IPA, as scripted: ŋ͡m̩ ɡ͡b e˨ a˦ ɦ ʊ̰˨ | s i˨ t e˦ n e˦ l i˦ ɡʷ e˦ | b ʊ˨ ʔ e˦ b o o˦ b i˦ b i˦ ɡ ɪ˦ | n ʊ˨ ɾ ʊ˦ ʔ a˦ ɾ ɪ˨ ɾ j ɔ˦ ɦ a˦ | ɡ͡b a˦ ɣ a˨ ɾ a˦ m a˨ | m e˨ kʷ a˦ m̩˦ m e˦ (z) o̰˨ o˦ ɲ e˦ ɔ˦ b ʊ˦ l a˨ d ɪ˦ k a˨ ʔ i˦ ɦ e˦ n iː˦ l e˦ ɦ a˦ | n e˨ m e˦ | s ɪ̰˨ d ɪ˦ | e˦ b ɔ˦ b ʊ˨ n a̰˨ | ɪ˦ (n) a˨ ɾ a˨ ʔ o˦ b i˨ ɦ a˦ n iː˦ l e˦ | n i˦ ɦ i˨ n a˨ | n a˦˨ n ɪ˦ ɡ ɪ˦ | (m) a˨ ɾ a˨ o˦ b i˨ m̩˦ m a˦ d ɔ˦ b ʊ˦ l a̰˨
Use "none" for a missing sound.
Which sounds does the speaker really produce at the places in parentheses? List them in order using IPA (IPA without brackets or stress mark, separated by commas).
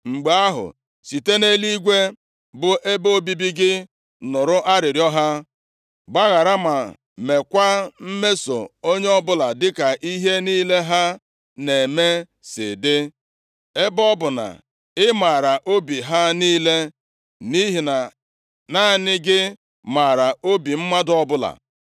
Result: s, m, m